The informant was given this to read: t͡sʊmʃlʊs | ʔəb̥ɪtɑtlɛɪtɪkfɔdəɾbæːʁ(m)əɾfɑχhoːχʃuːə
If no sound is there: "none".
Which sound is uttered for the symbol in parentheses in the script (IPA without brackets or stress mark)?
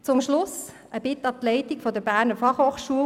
n